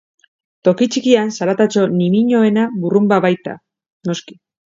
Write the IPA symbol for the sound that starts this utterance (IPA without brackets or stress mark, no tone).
t̪